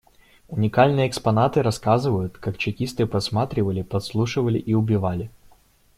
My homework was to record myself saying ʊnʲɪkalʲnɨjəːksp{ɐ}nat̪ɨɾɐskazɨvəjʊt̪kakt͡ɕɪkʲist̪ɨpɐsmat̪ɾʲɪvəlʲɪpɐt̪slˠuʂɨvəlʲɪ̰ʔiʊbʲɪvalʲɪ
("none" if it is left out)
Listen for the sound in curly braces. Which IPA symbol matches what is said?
ɐ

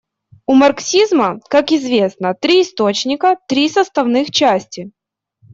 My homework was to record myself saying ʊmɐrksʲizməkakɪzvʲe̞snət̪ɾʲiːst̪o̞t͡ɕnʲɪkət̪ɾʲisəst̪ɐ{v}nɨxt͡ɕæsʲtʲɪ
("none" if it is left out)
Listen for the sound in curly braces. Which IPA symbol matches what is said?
v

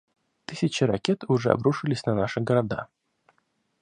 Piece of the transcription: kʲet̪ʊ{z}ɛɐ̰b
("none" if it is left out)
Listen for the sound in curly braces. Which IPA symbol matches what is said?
ʐ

